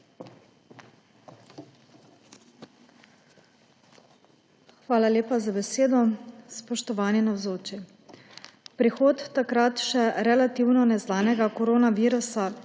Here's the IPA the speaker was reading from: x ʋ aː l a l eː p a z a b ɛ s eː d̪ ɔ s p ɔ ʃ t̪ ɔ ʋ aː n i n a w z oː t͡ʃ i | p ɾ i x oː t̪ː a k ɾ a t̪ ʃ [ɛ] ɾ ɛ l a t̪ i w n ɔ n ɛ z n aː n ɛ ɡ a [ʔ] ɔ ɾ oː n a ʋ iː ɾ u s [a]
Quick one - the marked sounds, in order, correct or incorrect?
correct, incorrect, correct

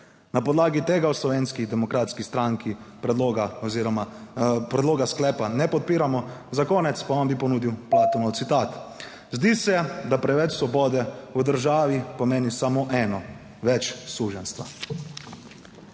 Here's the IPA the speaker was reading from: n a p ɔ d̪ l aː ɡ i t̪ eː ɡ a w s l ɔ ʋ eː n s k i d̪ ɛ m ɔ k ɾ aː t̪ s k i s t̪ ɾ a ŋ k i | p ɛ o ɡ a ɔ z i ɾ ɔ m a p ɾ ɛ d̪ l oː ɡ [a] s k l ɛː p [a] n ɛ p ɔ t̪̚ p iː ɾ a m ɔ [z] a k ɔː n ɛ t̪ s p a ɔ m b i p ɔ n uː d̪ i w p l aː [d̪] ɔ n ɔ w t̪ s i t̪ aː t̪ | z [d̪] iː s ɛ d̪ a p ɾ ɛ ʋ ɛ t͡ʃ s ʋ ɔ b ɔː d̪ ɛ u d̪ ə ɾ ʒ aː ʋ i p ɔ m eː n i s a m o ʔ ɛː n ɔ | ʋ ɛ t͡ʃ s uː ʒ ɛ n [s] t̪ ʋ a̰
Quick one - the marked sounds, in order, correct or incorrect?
correct, correct, correct, incorrect, correct, correct

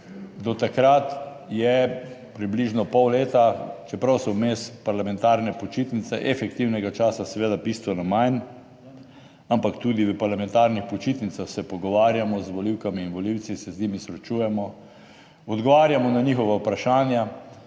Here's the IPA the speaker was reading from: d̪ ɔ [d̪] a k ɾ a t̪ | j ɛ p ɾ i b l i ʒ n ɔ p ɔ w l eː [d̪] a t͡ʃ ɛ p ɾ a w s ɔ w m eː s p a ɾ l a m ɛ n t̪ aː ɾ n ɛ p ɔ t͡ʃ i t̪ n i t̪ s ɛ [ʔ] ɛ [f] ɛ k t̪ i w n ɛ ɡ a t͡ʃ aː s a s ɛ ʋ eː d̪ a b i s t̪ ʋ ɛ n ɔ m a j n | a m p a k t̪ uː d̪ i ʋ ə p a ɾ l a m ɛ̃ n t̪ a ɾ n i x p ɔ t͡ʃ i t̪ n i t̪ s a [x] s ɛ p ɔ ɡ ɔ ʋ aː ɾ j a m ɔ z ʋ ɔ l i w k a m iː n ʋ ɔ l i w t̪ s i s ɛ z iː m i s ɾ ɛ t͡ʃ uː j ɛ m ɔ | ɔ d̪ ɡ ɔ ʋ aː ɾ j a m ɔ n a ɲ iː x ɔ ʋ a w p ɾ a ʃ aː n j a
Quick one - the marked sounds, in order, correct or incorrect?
incorrect, incorrect, correct, correct, correct

